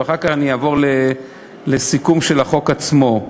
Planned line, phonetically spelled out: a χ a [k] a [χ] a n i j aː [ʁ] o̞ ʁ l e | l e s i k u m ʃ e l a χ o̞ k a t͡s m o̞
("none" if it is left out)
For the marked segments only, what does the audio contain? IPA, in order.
k, χ, v

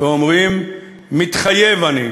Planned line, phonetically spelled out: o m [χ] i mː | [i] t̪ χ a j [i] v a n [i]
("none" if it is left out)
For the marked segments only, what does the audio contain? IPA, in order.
ʁ, i, e, i

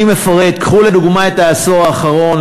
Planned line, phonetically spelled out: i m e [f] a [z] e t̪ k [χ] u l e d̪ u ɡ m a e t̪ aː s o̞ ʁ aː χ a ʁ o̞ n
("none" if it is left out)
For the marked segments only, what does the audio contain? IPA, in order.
f, ʁ, χ

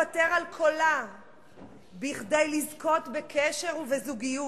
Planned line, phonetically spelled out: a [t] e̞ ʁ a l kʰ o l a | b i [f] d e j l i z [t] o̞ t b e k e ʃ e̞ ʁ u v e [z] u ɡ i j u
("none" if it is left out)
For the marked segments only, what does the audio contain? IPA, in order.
t, χ, k, z

